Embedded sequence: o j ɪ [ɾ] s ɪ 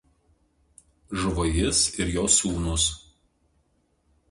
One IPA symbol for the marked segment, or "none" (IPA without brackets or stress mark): none